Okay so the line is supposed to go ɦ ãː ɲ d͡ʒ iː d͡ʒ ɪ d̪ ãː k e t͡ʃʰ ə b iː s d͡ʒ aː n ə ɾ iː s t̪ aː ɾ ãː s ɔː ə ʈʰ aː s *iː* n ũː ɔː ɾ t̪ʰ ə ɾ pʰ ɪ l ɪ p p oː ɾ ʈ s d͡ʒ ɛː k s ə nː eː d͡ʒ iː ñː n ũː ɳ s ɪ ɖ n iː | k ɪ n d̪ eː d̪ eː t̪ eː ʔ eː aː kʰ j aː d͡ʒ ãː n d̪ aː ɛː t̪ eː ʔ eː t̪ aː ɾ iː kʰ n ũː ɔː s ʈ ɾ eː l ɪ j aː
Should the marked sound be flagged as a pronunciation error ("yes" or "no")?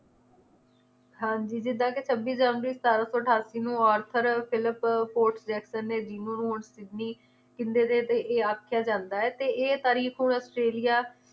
no